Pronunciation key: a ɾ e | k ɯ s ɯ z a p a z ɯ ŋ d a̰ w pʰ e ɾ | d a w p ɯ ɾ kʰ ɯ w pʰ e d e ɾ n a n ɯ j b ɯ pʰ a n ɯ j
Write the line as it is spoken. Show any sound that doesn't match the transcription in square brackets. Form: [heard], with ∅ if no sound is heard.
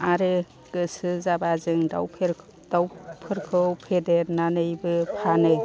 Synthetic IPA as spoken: a ɾ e | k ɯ s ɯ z a [b] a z ɯ ŋ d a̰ w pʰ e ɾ | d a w [pʰ] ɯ ɾ kʰ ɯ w pʰ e d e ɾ n a n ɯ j b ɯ pʰ a n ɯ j